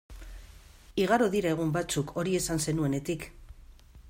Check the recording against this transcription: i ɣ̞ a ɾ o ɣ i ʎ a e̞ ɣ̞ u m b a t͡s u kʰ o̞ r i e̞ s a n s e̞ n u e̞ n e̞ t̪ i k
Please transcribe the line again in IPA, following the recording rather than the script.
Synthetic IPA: i ɣ̞ a ɾ o ð i ɾ a e̞ ɣ̞ u m b a t͡s u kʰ o̞ ɾ i e̞ s a n s e̞ n u e̞ n e̞ t̪ i k

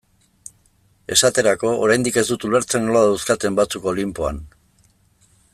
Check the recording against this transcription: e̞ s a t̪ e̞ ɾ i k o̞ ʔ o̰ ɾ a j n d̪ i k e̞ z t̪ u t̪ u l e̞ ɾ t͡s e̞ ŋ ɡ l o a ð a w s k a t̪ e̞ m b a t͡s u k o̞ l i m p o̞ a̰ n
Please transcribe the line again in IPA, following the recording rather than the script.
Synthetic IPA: e̞ s a t̪ e̞ ɾ a k o̞ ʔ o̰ ɾ a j n d̪ i k e̞ z d̪ u t̪ u l e̞ ɾ t͡s e̞ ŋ ɡ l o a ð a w s k a t̪ e̞ m b a t͡s u k o̞ l i m p o̞ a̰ n

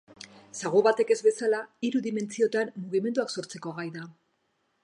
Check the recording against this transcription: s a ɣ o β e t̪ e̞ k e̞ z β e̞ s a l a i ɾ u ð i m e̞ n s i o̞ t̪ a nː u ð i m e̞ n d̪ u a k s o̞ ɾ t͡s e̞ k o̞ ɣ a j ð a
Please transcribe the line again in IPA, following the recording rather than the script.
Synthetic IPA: s a ɣ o β a t̪ e̞ k e̞ z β e̞ s a l a i ɾ u ð i m e̞ n t͡s i o̞ t̪ a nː u ɣ i m e̞ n d̪ u a k s o̞ ɾ t͡s e̞ k o̞ ɣ a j ð a

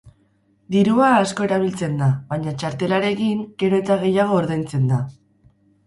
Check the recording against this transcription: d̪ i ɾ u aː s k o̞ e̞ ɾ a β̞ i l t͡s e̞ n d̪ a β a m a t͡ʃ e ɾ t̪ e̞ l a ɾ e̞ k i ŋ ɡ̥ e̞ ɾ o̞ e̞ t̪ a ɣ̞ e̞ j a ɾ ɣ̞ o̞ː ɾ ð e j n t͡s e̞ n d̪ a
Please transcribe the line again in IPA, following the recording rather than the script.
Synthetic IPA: d̪ i ɾ u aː s k o̞ e̞ ɾ a β̞ i l t͡s e̞ n d̪ a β a ɲ a t͡ʃ a ɾ t̪ e̞ l a ɾ e̞ k i ŋ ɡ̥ e̞ ɾ o̞ e̞ t̪ a ɣ̞ e̞ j a ɣ̞ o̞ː ɾ ð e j n t͡s e̞ n d̪ a

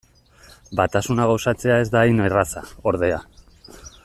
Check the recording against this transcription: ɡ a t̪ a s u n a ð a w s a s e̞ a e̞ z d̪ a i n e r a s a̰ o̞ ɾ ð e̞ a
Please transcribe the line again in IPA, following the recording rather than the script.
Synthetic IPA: b a t̪ a s u n a ɣ a w s a t͡s e̞ a e̞ z d̪ a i n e r a s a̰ o̞ ɾ ð e̞ a

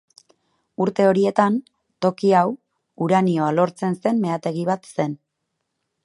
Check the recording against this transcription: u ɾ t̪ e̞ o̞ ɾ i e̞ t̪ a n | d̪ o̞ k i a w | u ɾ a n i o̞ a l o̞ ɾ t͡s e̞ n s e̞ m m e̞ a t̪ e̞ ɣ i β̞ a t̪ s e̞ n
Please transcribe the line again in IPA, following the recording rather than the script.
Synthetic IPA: u ɾ t̪ e̞ o̞ ɾ i e̞ t̪ a n | t̪ o̞ k i a w | u ɾ a n i o̞ a l o̞ ɾ t͡s e̞ n s e̞ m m e̞ a t̪ e̞ ɣ i β̞ a t̪ s e̞ n

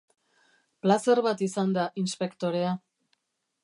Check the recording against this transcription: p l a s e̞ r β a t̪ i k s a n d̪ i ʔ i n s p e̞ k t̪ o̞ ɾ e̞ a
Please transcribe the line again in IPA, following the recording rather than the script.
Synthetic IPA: p l a s e̞ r β a t̪ i s a n d̪ a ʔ i n s p e̞ k t̪ o̞ ɾ e̞ a

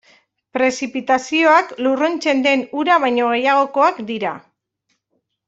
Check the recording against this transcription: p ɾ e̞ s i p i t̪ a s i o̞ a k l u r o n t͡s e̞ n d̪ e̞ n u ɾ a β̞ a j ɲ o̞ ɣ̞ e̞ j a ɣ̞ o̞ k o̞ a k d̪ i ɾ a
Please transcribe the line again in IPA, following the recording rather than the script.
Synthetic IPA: p ɾ e̞ s i p i t̪ a s i o̞ a k l u r o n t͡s e̞ n d̪ e̞ n u ɾ a β̞ a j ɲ o̞ ɣ̞ e̞ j a ɣ̞ o̞ k o̞ a k d̪ i ɾ a

